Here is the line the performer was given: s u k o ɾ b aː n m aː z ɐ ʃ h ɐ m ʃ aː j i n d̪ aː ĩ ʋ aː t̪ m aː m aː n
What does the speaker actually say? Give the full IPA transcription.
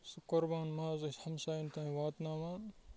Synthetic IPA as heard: s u k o ɾ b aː n m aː z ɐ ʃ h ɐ m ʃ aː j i n t̪ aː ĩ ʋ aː t̪ n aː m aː n